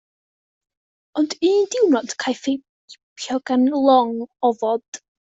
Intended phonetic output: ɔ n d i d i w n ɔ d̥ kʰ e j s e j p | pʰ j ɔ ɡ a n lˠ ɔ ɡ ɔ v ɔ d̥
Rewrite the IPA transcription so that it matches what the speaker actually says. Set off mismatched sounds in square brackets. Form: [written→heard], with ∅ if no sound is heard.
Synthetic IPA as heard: ɔ n d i d [i→ɪ] w n ɔ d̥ kʰ [e→a] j [s→f] e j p | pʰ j ɔ ɡ a n lˠ ɔ [ɡ→ŋ] ɔ v ɔ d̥